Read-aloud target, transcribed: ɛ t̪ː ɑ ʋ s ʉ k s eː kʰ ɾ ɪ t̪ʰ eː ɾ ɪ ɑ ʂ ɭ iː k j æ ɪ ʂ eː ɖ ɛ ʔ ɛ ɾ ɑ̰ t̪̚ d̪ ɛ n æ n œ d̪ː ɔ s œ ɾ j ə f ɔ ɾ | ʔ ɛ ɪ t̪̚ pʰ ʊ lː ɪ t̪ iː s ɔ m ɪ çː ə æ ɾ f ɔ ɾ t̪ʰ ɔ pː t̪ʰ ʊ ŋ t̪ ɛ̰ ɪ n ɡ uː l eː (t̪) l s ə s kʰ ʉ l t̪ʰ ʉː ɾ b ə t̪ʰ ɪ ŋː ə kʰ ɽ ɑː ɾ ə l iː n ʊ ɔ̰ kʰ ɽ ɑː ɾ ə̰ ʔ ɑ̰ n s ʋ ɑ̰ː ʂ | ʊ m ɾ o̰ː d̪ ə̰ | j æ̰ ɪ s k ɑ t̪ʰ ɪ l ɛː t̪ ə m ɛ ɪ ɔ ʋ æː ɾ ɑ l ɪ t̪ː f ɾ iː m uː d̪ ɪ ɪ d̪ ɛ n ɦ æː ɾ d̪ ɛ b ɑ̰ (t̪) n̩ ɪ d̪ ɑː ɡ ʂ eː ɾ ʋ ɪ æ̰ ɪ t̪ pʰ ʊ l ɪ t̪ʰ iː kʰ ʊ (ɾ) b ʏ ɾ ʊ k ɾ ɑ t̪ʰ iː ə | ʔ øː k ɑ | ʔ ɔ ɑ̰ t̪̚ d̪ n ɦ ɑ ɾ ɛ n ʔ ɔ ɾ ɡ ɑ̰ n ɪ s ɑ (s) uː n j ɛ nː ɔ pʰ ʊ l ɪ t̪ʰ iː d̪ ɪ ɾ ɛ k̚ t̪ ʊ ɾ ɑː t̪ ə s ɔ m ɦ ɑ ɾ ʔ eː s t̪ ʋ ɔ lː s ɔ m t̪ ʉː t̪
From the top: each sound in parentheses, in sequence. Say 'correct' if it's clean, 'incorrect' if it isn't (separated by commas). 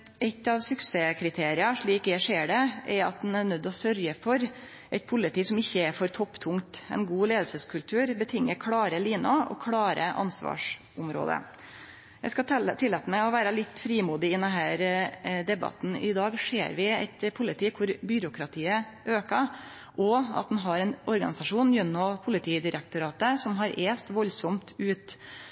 incorrect, correct, correct, incorrect